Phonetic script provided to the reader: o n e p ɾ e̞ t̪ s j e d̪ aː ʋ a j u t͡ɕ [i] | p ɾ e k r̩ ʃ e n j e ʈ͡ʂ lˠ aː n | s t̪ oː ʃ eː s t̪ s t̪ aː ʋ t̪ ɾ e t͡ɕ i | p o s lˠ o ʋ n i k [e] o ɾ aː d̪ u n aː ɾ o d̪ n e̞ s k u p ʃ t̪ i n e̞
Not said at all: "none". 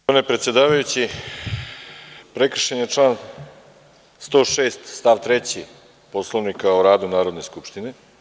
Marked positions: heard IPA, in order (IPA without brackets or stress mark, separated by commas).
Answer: i, a